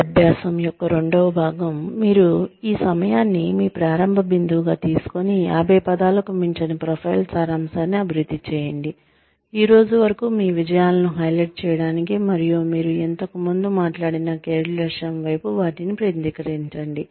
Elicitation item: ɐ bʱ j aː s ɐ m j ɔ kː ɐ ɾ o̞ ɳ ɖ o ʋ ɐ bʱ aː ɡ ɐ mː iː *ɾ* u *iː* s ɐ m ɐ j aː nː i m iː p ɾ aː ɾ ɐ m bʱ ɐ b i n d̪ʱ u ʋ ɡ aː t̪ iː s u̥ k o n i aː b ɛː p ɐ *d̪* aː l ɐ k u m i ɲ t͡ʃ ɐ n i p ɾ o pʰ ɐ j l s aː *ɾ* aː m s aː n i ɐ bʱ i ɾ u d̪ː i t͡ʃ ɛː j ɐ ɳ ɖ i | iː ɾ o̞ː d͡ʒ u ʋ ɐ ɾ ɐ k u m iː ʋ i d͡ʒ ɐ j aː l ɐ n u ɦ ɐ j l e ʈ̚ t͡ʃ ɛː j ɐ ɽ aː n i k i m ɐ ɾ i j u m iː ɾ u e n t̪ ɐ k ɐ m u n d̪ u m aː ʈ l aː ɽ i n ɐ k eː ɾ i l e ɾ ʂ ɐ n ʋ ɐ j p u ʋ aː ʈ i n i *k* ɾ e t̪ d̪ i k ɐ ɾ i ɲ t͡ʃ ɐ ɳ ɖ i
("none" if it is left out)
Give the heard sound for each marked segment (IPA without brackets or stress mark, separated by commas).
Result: ɾ, iː, d̪, ɾ, p